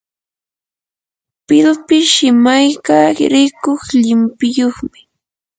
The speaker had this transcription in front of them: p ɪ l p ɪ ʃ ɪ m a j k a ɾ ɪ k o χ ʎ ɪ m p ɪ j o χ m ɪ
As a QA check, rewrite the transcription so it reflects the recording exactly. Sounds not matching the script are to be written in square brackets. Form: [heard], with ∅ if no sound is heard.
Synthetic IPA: p ɪ l p ɪ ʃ ɪ m a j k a ɾ ɪ k o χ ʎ ɪ m p ɪ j o χ m ɪ